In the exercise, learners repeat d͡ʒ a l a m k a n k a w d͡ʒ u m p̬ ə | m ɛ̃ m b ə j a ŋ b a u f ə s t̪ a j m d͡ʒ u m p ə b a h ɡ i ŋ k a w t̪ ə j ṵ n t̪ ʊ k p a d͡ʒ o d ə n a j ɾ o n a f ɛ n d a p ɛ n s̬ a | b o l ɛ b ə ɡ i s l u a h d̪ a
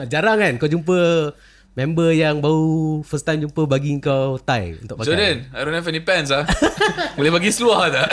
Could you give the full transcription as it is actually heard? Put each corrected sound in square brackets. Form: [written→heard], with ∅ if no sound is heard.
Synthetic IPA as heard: d͡ʒ a [l→ɾ] a [m→ŋ] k a n k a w d͡ʒ u m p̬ ə | m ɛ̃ m b ə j a ŋ b a u f ə s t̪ a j m d͡ʒ u m p ə b a [h→∅] ɡ i ŋ k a w t̪ [ə→a] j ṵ n t̪ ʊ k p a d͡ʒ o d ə n a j ɾ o n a f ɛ n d [a→i] p ɛ n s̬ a | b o l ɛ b [ə→a] ɡ i s l u a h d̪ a